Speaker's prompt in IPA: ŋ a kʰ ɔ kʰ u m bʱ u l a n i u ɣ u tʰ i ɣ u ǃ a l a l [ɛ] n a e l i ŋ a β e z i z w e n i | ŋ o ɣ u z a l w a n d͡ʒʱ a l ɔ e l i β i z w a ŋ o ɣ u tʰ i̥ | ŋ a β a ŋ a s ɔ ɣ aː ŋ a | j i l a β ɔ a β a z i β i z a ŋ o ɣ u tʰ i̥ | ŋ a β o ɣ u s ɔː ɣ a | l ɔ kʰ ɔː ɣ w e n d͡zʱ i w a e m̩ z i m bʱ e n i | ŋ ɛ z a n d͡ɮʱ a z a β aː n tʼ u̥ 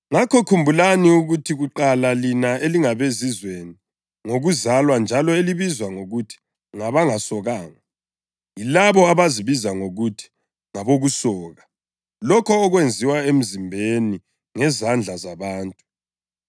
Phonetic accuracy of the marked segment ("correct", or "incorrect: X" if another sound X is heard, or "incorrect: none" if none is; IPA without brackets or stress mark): incorrect: i